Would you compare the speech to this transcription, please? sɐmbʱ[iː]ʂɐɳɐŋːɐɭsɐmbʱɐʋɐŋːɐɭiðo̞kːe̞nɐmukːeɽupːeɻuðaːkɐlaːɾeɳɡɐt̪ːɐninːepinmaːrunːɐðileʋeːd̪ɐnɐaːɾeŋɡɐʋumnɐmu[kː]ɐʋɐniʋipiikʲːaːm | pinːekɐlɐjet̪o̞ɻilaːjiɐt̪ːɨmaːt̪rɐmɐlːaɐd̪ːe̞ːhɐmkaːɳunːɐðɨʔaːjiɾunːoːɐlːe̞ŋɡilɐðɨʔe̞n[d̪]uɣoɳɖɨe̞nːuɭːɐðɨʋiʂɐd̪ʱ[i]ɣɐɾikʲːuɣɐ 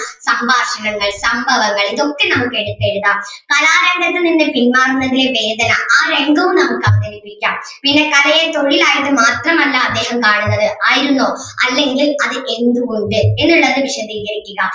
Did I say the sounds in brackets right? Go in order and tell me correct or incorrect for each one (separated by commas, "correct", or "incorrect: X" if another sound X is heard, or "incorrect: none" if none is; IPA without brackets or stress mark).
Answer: incorrect: aː, correct, correct, incorrect: iː